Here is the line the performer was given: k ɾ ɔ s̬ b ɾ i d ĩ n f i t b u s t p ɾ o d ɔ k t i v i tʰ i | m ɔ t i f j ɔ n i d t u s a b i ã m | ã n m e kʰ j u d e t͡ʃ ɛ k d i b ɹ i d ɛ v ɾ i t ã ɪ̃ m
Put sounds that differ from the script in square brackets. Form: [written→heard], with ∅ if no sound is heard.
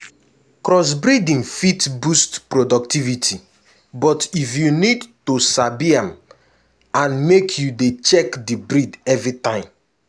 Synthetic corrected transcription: k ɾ ɔ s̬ b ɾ i d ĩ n f i t b u s t p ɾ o d ɔ k t i v i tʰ i | [m→b] ɔ t i f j [ɔ→u] n i d t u s a b i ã m | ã n m e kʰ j u d e t͡ʃ ɛ k d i b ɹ i d ɛ v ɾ i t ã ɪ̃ m